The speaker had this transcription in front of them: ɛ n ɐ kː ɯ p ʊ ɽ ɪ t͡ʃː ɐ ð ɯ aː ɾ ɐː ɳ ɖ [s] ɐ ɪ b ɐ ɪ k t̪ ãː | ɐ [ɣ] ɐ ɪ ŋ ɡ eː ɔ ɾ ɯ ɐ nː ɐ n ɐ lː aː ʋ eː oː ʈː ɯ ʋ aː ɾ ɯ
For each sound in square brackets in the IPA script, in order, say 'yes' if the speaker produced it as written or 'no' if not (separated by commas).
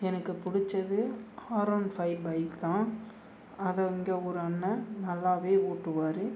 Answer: no, no